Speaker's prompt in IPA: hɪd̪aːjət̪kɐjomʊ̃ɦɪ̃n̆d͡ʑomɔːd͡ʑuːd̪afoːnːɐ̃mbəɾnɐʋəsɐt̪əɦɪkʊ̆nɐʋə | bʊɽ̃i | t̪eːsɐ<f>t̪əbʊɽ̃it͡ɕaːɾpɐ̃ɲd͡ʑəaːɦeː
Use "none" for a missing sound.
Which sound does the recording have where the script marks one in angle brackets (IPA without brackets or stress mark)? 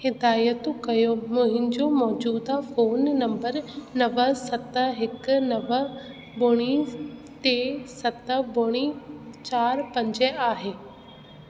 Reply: none